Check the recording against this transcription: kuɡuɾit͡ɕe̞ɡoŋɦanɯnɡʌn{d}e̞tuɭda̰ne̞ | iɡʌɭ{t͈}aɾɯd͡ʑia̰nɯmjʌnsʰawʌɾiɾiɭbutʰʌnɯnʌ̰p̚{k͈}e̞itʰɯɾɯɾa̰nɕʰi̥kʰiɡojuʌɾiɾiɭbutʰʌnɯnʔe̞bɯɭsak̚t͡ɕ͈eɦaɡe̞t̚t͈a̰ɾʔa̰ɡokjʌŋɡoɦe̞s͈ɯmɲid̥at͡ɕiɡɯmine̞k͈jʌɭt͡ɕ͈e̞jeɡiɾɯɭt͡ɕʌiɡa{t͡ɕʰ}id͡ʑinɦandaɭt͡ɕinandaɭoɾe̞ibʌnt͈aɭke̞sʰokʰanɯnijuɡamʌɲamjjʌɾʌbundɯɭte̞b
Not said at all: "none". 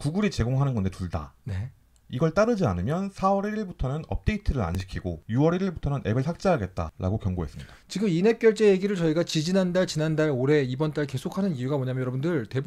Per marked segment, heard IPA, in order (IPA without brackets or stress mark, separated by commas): d, t͈, t͈, t͡ɕ